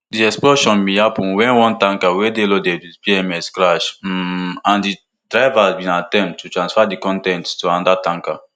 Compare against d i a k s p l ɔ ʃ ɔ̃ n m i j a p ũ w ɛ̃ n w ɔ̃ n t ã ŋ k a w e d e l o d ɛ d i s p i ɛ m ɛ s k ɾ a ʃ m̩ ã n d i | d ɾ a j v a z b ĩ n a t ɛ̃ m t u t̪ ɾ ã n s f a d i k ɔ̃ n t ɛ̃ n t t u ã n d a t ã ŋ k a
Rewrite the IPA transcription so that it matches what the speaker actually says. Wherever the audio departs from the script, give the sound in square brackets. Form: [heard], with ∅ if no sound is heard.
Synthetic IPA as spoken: d i [ɛ] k s p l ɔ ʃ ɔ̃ n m i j a p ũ w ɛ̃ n w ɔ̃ n t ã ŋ k a w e d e l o d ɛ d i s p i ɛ m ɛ s k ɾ a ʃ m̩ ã n d i | d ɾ a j v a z b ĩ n a t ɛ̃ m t u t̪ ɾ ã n s f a d i k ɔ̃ n t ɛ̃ n t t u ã n d a t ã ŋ k a